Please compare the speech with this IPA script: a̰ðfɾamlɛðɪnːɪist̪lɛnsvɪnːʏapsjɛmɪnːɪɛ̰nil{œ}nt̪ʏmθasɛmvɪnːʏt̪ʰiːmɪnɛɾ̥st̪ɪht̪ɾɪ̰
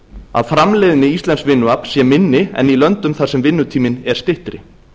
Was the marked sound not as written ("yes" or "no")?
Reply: no